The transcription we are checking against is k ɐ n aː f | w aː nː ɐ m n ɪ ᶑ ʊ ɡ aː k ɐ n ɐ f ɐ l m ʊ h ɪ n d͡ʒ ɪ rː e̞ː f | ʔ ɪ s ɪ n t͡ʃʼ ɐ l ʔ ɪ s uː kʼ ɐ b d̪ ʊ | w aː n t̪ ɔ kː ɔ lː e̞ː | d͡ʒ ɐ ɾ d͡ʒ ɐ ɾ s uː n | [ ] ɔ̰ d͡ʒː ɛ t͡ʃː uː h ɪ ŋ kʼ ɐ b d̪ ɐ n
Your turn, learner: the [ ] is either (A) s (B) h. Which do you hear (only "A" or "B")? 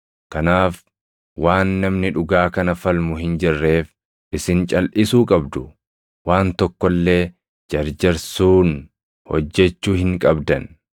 B